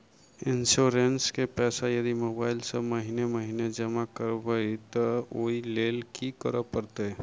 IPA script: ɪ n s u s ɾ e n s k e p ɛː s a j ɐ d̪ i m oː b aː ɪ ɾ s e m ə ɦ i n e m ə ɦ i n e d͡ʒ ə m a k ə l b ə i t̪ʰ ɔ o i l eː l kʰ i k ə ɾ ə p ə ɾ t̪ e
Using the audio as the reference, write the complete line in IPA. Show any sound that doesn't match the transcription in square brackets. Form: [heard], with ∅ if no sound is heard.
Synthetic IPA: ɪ n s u [∅] ɾ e n s k e p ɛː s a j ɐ d̪ i m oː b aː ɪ [l] s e m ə ɦ i n e m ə ɦ i n e d͡ʒ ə m a k ə [ɾ] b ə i [t̪] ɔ o i l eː l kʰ i k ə ɾ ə p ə ɾ t̪ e